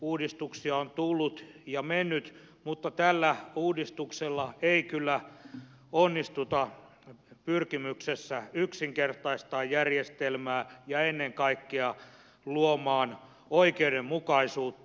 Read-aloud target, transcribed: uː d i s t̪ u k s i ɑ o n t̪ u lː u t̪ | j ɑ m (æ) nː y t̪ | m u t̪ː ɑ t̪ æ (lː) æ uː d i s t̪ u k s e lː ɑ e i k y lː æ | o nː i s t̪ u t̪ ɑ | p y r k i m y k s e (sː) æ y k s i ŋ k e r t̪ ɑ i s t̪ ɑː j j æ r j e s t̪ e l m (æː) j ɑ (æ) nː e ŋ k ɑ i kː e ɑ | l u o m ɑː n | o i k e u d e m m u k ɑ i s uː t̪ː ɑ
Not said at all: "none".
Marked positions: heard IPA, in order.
e, lː, sː, æː, e

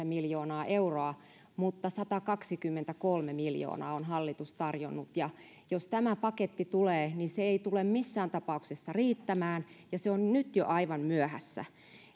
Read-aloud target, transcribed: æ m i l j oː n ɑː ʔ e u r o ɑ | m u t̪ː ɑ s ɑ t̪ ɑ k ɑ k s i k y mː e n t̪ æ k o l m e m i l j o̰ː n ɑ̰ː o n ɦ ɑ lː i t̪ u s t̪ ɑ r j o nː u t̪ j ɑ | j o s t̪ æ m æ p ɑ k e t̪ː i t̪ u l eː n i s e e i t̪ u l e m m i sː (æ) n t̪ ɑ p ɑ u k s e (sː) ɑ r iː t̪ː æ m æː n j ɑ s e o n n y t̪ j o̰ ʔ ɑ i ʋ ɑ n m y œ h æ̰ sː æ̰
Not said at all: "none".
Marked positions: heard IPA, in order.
æː, sː

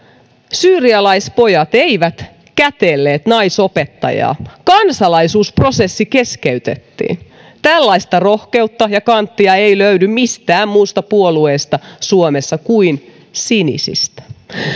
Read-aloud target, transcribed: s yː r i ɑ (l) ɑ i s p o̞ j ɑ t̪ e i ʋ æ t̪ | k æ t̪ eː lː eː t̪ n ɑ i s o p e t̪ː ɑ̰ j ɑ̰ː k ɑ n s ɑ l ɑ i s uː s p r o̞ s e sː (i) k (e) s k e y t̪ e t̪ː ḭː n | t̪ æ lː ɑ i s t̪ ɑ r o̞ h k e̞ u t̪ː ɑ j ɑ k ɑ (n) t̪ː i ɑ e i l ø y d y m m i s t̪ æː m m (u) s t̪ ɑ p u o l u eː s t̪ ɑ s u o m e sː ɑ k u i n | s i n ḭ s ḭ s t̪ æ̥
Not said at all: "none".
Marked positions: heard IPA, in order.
l, i, e, n, uː

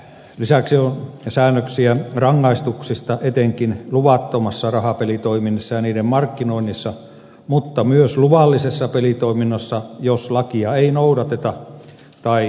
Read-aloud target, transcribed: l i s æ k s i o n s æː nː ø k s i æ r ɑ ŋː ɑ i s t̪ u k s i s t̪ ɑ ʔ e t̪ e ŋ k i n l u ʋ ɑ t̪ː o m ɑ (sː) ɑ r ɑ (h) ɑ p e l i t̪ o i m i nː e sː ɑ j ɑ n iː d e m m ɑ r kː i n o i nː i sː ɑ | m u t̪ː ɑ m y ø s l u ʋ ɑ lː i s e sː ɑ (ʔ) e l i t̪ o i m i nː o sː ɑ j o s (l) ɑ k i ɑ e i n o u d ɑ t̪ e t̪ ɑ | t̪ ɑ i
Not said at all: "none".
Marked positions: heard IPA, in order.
sː, h, p, l

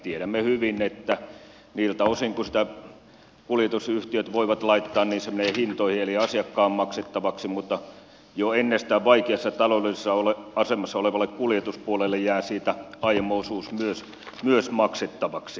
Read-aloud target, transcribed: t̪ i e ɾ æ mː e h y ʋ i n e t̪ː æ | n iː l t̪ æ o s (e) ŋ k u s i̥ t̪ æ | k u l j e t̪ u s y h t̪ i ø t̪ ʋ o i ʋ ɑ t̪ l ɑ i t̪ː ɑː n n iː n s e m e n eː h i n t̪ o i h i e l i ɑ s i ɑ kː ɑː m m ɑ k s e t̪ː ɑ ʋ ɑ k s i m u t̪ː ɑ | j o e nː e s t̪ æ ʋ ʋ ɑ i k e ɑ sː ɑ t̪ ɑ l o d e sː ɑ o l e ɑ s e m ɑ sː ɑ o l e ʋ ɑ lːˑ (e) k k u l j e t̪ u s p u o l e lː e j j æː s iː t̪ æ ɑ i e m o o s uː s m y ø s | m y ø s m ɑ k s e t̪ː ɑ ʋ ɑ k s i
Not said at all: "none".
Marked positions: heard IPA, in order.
i, e

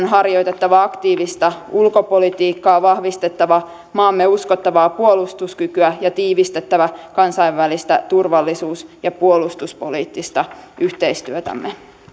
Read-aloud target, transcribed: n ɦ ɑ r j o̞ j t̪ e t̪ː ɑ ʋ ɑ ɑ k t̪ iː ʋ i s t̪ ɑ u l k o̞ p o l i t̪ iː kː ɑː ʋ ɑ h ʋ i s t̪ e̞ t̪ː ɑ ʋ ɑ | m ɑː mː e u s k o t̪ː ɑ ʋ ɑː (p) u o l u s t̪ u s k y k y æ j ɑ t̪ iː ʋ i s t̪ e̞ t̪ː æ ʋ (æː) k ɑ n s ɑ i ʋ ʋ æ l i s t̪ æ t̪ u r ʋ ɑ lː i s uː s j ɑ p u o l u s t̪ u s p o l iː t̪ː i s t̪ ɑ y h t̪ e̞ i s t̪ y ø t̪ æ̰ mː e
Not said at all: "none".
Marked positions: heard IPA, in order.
p, æ

